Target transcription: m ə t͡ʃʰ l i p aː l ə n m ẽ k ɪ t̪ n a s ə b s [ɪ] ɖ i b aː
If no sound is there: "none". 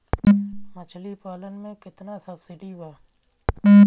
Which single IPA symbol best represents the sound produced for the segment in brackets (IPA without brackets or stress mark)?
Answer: ɪ